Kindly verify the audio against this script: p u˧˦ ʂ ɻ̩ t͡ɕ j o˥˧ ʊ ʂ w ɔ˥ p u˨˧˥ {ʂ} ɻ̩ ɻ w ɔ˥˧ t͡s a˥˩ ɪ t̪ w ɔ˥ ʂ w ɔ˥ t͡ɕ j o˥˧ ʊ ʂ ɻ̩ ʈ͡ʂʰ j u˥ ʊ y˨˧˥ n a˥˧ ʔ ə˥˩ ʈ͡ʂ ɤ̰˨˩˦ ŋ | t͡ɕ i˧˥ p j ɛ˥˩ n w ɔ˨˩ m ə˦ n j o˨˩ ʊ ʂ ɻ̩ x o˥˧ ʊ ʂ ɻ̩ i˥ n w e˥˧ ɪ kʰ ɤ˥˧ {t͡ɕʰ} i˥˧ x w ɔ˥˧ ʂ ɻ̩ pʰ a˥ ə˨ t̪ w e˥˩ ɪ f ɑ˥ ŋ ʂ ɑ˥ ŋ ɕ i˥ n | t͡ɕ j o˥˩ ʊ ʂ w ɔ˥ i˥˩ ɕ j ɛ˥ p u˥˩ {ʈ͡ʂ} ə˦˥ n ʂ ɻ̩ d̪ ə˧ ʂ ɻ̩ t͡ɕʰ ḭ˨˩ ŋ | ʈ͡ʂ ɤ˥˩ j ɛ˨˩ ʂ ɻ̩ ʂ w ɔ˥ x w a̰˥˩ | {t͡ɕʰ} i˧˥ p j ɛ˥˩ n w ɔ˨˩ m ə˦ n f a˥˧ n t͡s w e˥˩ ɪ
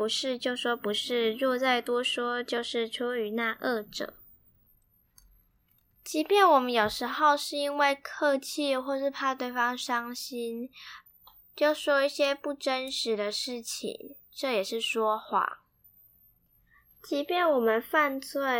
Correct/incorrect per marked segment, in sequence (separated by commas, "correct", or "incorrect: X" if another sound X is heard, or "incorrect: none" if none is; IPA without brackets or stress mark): correct, correct, correct, incorrect: t͡ɕ